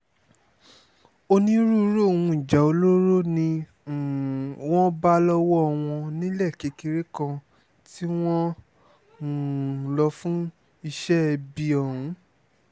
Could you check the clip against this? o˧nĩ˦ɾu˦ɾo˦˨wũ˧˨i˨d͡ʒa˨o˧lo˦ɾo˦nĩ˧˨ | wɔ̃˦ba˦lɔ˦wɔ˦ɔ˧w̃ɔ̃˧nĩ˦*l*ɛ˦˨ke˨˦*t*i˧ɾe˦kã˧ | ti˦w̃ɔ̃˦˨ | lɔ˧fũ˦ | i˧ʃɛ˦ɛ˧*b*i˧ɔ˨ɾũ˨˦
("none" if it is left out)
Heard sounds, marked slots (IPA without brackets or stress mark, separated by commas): l, k, b